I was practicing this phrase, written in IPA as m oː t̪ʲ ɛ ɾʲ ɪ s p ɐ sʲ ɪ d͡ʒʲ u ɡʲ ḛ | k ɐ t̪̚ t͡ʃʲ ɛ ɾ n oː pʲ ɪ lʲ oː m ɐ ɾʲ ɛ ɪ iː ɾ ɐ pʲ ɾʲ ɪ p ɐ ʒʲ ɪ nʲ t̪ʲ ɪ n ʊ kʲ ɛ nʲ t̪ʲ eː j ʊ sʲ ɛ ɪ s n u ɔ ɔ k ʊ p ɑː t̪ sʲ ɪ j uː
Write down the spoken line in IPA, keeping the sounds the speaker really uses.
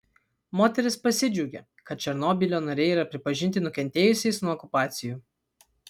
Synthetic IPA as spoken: m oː t̪ʲ ɛ ɾʲ ɪ s p ɐ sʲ ɪ d͡ʒʲ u ɡʲ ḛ | k ɐ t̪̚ t͡ʃʲ ɛ ɾ n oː bʲ ɪ lʲ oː n ɐ ɾʲ ɛ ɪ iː ɾ ɐ pʲ ɾʲ ɪ p ɐ ʒʲ ɪ nʲ t̪ʲ ɪ n ʊ kʲ ɛ nʲ t̪ʲ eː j ʊ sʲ ɛ ɪ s n u ɔ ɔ k ʊ p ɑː t̪ sʲ ɪ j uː